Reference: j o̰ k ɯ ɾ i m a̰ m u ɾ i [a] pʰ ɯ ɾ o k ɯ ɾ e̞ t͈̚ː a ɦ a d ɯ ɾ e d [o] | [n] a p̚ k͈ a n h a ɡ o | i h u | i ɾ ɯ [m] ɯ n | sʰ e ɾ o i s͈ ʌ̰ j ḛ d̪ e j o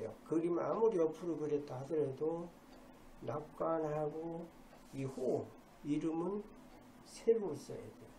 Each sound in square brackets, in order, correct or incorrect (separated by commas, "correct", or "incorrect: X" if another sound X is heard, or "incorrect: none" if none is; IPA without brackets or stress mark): incorrect: ʌ, correct, correct, correct